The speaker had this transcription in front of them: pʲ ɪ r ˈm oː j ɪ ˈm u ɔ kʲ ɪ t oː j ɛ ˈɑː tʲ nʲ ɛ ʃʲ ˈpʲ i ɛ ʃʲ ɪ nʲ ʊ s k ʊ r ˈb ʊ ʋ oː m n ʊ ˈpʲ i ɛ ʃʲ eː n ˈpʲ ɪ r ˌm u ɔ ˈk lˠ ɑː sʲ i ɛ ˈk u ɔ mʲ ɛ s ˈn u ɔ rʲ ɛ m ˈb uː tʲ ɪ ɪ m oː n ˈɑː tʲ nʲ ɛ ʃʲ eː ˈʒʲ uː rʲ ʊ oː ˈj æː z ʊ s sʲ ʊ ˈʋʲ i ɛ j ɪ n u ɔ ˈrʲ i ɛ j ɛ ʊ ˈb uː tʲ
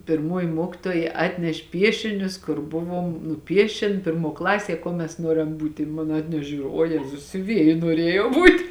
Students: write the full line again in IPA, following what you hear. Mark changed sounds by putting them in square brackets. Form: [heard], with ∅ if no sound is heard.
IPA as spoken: pʲ ɪ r ˈm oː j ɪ ˈm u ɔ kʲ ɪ t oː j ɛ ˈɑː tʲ nʲ ɛ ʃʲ ˈpʲ i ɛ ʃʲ ɪ nʲ ʊ s k ʊ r ˈb ʊ ʋ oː m n ʊ ˈpʲ i ɛ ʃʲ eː n ˈpʲ ɪ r ˌm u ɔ ˈk lˠ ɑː sʲ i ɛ ˈk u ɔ mʲ ɛ s ˈn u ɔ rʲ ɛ m ˈb uː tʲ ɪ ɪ m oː n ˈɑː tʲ nʲ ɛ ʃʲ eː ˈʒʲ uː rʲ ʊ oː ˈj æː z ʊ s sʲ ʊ ˈʋʲ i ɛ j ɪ n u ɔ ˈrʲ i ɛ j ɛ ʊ ˈb uː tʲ